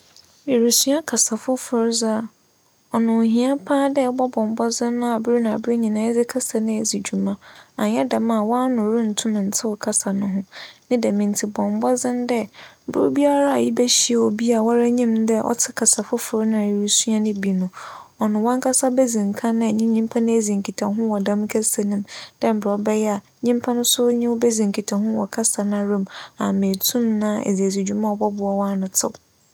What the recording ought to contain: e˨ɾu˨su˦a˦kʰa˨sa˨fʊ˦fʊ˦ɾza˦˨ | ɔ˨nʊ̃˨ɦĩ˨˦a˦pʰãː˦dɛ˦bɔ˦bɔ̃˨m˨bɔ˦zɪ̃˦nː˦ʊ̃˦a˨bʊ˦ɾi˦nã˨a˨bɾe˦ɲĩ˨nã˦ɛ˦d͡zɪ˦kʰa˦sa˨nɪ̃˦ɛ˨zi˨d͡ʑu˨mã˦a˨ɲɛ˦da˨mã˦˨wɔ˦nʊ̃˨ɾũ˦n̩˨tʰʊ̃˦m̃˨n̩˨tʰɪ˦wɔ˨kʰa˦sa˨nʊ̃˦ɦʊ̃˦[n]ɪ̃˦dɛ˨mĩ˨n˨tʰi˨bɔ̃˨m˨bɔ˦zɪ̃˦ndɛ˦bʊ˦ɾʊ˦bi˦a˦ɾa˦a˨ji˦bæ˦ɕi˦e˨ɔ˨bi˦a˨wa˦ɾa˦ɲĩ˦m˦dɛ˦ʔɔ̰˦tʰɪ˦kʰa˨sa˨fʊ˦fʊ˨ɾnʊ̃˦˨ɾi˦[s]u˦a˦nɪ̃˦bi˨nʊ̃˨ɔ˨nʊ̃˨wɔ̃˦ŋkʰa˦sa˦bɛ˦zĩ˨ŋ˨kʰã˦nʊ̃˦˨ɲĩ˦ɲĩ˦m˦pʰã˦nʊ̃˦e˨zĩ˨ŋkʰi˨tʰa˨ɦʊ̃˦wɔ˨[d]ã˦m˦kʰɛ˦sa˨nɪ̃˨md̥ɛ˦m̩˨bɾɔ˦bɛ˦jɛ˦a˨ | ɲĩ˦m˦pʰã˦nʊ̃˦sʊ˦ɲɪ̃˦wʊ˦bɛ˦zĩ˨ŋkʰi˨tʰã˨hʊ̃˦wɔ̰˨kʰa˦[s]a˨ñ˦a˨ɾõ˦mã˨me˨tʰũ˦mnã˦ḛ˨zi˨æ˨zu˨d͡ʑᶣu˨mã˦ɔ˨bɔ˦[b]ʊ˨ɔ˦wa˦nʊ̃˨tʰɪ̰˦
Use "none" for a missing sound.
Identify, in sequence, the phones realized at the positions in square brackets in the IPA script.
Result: n, s, d, s, b

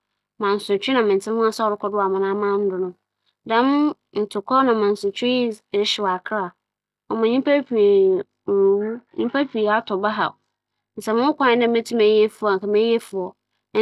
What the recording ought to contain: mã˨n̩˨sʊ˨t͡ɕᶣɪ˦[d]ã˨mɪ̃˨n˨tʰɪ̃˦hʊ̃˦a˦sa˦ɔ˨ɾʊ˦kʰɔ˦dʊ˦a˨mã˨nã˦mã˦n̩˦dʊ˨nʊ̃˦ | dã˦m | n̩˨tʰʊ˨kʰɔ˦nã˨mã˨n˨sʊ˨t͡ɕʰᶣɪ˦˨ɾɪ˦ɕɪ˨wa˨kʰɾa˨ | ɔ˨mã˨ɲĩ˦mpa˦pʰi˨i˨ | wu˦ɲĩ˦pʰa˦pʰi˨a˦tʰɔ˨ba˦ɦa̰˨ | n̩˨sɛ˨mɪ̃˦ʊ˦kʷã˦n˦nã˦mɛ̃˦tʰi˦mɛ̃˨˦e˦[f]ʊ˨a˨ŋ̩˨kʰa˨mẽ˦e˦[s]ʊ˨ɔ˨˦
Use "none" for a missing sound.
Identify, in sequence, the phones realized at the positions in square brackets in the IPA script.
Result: n, f, f

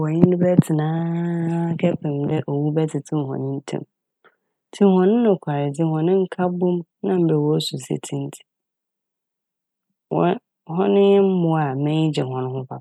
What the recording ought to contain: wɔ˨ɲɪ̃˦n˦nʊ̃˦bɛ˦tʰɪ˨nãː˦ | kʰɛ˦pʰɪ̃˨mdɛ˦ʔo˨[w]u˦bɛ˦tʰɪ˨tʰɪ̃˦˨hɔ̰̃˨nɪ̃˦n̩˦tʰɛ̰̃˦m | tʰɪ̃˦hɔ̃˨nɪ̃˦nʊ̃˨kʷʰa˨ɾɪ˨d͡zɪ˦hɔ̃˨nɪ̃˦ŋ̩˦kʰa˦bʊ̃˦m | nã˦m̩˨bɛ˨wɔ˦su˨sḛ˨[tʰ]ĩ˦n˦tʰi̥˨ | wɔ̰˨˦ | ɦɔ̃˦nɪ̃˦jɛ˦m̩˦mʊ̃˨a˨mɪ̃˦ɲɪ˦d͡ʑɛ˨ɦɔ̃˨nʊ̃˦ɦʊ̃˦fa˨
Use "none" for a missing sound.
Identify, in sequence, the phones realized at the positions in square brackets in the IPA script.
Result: w, tʰ

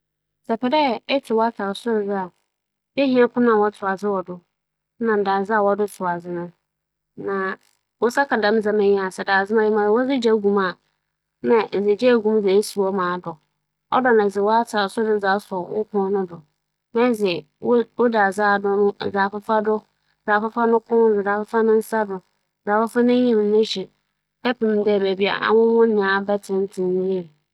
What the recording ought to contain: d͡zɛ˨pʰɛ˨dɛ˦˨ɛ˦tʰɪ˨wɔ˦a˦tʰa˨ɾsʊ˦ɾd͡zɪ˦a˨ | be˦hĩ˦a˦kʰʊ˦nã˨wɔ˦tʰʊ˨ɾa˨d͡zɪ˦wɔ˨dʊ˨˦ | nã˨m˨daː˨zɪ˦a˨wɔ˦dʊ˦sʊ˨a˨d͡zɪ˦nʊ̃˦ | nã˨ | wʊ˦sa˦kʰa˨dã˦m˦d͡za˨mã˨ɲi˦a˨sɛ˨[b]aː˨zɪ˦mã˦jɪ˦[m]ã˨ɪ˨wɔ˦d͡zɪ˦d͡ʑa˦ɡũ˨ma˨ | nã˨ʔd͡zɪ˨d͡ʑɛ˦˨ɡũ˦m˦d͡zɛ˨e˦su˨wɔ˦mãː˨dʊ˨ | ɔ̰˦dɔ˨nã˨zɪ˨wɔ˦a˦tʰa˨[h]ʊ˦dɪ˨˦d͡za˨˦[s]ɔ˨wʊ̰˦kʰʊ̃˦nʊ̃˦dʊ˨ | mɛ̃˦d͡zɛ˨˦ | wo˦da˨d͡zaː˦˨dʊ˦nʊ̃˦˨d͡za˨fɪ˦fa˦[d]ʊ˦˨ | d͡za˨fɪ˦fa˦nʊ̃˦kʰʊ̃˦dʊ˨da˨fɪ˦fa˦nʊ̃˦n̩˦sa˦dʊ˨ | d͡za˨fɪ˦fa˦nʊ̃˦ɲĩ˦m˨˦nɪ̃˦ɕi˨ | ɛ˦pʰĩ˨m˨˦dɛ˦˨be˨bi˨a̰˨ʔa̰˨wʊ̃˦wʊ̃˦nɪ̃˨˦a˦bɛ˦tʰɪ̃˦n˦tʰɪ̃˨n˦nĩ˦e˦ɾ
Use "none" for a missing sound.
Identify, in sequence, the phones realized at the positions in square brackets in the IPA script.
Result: d, m, s, s, d

